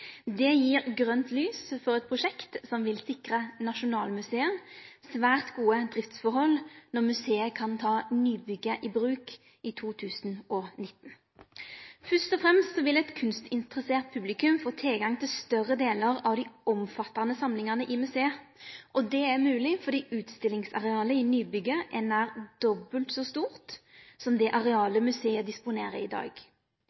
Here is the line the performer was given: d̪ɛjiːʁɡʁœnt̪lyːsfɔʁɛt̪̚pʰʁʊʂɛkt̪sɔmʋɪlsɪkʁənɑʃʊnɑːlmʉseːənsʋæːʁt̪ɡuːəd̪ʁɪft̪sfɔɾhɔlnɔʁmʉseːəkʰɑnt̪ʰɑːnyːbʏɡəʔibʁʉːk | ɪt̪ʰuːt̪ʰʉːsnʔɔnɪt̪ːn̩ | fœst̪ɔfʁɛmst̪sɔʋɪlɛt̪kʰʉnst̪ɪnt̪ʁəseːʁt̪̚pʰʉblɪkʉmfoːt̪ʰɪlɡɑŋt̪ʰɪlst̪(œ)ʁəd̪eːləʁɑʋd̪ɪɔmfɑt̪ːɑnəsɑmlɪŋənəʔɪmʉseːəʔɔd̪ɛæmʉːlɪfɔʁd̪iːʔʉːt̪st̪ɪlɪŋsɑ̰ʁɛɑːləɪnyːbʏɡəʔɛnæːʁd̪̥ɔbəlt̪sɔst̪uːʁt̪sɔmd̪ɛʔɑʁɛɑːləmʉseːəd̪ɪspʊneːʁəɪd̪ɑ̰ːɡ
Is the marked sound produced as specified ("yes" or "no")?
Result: yes